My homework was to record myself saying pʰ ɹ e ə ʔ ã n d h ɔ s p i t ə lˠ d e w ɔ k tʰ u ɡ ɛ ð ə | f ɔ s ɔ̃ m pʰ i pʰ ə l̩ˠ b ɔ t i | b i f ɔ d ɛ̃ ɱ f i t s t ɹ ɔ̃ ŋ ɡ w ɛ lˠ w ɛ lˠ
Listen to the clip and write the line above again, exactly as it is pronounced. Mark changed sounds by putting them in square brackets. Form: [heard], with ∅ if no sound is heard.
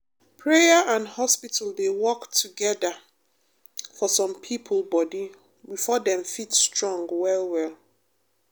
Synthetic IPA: pʰ ɹ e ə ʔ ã n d h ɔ s p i t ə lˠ d e w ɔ k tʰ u ɡ ɛ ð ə | f ɔ s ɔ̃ m pʰ i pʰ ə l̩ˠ b ɔ [d] i | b i f ɔ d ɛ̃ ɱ f i t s t ɹ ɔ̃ ŋ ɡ w ɛ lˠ w ɛ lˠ